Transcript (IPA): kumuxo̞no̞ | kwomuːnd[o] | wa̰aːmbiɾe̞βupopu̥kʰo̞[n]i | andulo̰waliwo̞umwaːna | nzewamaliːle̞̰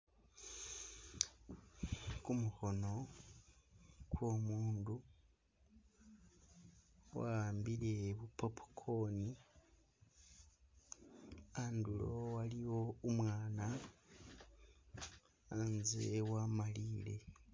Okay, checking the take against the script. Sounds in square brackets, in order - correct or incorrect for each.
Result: incorrect, correct

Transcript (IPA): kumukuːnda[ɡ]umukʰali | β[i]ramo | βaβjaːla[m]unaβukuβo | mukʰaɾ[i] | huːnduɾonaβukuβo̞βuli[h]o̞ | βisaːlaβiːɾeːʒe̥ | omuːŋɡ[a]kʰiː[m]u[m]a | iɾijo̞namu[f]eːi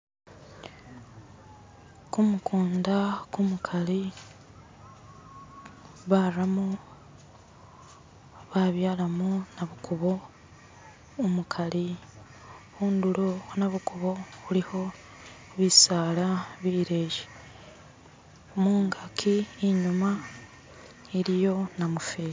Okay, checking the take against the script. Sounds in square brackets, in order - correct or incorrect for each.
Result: incorrect, incorrect, correct, correct, correct, correct, incorrect, correct, correct

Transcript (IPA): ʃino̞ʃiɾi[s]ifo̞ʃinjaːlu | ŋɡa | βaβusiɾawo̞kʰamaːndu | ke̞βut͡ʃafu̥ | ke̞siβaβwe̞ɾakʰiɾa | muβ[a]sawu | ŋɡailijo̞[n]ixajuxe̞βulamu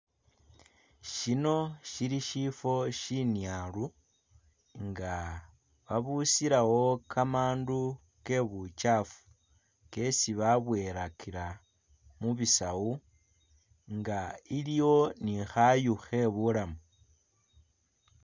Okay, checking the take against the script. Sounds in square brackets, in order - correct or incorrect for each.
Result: incorrect, incorrect, correct

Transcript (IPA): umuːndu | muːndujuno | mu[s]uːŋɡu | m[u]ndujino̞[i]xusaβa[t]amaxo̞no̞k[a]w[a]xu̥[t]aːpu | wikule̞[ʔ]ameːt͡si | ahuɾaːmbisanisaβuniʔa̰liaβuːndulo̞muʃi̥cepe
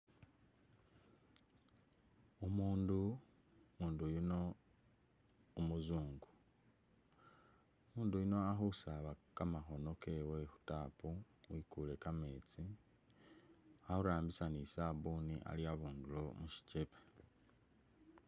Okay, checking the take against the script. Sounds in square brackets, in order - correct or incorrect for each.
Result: incorrect, incorrect, incorrect, incorrect, incorrect, incorrect, correct, incorrect

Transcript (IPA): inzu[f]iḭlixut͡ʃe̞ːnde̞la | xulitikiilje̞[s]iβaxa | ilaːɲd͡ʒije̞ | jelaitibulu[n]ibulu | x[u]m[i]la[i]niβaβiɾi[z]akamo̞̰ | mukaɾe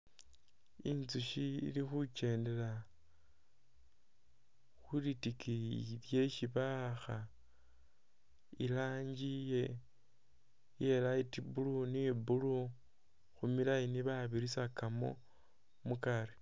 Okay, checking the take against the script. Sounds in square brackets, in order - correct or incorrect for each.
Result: incorrect, incorrect, correct, correct, correct, correct, incorrect

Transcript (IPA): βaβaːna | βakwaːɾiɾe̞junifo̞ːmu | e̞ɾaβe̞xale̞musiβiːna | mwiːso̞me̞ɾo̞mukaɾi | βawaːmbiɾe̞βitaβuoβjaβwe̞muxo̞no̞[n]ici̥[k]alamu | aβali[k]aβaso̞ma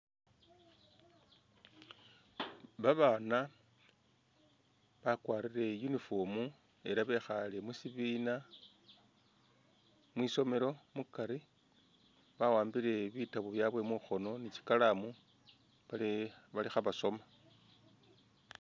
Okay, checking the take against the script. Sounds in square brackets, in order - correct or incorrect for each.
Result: correct, correct, incorrect

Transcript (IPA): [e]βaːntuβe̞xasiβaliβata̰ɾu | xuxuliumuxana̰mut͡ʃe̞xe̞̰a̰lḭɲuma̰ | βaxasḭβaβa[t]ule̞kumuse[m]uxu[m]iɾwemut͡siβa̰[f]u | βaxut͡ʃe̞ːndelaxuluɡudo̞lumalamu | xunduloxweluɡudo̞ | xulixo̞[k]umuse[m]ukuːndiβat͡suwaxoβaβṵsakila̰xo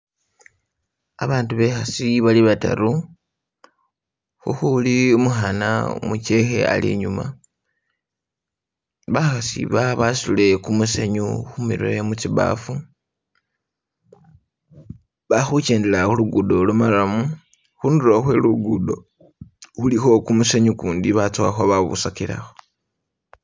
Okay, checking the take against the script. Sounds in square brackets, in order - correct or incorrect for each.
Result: incorrect, incorrect, incorrect, correct, correct, correct, incorrect

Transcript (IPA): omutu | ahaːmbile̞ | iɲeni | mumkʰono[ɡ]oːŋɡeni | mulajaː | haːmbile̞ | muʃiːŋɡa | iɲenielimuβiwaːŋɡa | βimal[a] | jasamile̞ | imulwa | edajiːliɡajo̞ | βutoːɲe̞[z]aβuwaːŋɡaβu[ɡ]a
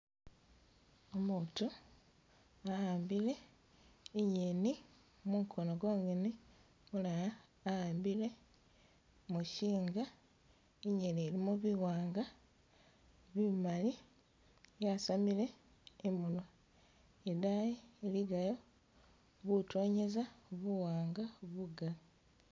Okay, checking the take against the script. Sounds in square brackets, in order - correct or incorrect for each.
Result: correct, incorrect, correct, correct

